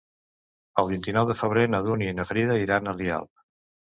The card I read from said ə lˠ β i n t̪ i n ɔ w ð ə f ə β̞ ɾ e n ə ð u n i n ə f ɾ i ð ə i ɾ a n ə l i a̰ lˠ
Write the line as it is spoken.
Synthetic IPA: ə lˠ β i n t̪ i n ɔ w ð ə f ə β̞ ɾ e n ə ð u n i n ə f ɾ i ð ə i ɾ a n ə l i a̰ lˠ